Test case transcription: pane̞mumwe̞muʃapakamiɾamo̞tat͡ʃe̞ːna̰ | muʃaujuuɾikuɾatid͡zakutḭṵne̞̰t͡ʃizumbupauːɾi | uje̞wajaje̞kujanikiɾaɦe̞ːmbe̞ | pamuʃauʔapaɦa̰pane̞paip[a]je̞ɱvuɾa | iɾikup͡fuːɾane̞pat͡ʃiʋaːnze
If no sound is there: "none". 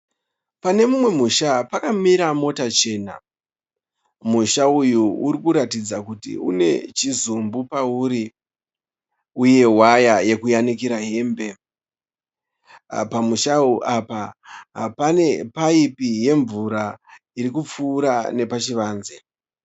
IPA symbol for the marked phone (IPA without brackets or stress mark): i